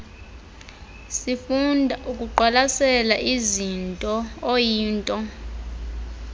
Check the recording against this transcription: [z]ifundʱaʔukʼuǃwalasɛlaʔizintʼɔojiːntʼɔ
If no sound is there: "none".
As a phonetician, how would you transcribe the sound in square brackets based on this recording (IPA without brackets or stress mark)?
s